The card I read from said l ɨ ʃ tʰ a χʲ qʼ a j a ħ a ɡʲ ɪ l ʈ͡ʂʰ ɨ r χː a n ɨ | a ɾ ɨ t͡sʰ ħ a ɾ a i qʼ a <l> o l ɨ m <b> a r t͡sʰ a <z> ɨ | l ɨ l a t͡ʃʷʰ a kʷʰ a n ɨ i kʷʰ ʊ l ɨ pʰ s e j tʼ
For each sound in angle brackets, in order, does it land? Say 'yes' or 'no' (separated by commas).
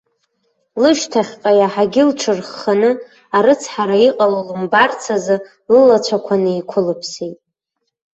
yes, yes, yes